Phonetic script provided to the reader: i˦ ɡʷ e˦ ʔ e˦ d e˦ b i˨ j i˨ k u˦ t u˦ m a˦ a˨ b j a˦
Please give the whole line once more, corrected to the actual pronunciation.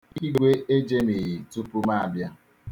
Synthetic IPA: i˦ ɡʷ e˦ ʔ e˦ d͡ʒ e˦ m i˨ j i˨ t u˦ p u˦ m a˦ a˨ b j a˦